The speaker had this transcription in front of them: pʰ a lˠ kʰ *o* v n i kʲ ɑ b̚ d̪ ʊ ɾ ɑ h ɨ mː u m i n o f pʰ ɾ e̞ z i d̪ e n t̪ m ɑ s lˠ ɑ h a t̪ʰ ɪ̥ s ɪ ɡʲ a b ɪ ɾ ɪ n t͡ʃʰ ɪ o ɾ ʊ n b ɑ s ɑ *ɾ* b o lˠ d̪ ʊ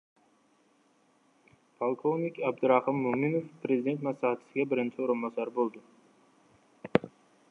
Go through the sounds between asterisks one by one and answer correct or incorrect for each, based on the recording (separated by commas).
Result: correct, correct